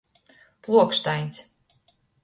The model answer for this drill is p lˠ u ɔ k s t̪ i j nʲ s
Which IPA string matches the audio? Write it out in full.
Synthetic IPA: p lˠ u ɔ k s t̪ a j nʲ s